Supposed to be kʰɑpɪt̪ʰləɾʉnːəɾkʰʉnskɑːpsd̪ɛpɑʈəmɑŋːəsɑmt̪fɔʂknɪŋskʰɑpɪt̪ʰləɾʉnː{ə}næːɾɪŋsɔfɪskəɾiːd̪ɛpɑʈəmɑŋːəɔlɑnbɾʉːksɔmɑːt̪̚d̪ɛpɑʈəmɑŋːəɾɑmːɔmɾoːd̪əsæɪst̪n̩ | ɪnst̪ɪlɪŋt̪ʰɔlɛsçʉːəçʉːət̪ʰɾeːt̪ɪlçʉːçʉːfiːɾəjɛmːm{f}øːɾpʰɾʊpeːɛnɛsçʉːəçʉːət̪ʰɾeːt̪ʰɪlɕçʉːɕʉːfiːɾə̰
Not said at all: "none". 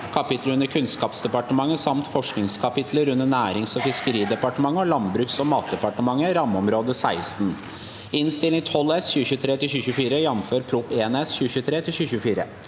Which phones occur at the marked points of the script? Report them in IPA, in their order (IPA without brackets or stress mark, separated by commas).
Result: ə, f